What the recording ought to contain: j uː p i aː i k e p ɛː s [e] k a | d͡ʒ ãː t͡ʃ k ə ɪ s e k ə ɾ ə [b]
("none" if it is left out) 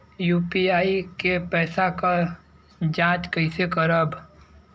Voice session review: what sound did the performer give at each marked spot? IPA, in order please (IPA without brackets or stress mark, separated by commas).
a, b